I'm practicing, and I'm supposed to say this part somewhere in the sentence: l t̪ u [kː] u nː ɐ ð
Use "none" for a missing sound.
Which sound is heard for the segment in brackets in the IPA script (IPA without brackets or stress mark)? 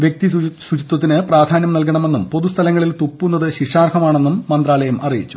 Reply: pː